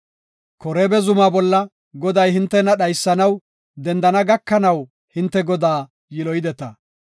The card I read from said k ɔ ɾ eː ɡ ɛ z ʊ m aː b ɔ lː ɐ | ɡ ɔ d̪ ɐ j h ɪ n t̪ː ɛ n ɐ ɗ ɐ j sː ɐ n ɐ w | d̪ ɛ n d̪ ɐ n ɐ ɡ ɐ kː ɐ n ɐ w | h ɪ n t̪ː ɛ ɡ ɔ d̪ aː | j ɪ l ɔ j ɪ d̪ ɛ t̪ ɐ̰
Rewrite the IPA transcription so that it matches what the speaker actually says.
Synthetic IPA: k ɔ ɾ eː b ɛ z ʊ m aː b ɔ lː ɐ | ɡ ɔ d̪ ɐ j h ɪ n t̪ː ɛ n ɐ ɗ ɐ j sː ɐ n ɐ w | d̪ ɛ n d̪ ɐ n ɐ ɡ ɐ kː ɐ n ɐ w | h ɪ n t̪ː ɛ ɡ ɔ d̪ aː | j ɪ l ɔ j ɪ d̪ ɛ t̪ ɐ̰